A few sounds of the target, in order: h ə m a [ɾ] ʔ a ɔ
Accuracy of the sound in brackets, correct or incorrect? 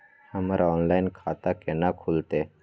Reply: correct